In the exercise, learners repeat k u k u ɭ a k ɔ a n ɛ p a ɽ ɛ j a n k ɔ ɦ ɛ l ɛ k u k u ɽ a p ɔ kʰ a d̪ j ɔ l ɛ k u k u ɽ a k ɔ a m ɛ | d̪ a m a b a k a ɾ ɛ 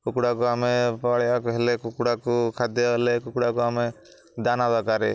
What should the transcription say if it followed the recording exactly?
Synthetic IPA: k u k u ɽ a k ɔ a m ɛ p a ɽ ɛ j a k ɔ ɦ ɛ l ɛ k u k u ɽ a k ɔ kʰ a d̪ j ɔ l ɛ k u k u ɽ a k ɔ a m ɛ | d̪ a n a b a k a ɾ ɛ